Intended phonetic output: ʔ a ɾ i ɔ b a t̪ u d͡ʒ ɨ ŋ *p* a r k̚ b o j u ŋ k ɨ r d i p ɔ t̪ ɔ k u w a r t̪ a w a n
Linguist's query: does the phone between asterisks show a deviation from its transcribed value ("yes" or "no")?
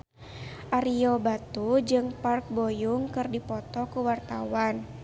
no